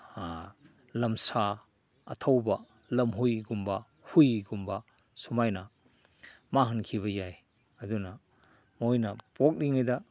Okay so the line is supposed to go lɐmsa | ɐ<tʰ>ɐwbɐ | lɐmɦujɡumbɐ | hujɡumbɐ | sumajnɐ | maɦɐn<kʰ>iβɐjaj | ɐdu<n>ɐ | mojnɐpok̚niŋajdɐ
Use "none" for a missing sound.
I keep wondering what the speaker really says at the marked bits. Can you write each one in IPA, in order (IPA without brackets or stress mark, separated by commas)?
tʰ, kʰ, n